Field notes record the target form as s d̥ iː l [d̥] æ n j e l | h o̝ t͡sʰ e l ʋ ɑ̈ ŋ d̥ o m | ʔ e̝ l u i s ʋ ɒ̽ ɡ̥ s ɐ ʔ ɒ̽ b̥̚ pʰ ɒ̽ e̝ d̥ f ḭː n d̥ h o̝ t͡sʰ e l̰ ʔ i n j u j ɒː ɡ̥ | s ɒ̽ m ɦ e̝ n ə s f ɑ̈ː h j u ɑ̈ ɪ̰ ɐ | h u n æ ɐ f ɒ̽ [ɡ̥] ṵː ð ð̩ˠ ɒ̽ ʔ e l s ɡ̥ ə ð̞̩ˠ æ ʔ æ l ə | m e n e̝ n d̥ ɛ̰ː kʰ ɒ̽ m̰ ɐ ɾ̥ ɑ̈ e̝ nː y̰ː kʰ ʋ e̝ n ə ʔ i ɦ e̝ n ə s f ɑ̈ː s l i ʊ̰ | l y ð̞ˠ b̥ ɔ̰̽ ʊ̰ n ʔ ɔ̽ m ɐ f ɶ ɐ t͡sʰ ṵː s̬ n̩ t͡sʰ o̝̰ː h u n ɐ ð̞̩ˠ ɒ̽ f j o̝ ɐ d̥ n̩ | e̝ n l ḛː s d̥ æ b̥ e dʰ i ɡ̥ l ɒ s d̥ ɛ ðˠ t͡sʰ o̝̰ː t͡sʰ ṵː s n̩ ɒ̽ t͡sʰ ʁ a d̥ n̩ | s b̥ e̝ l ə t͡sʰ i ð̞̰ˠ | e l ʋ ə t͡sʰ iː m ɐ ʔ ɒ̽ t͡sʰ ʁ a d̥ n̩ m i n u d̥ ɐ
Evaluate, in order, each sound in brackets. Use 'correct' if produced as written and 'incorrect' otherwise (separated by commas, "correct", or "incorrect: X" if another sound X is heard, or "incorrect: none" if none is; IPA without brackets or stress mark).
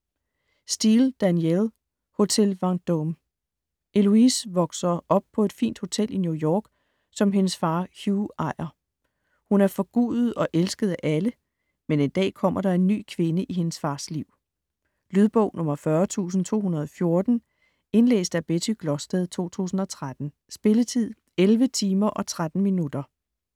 correct, correct